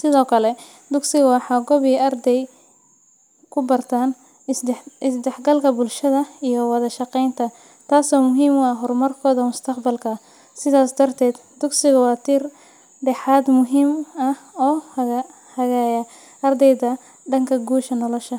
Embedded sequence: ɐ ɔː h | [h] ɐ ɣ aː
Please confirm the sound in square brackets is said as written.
yes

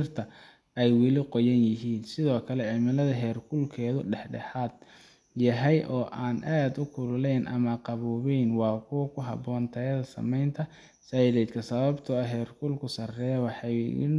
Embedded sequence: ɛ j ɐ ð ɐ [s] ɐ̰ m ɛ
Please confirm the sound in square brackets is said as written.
yes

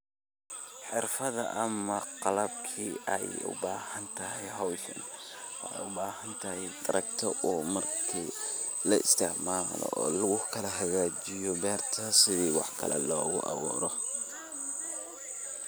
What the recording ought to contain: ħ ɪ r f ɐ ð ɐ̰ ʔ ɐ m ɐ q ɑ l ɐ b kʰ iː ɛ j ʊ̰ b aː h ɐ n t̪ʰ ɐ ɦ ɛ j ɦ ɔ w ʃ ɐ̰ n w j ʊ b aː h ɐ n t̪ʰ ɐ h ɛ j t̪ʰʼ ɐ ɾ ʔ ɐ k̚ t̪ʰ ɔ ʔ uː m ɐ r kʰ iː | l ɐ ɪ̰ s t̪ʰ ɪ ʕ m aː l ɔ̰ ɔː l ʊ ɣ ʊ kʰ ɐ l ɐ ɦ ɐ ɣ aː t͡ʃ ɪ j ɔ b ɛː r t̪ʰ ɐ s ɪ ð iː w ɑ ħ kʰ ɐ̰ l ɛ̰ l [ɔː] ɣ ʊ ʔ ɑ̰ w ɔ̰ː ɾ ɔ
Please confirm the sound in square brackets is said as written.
yes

